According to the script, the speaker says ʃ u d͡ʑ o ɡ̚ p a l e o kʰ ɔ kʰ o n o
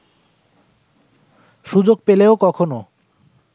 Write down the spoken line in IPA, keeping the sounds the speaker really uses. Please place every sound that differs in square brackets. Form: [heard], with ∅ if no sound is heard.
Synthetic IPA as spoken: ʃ u d͡ʑ o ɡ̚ p [e] l e o [k] ɔ kʰ o n o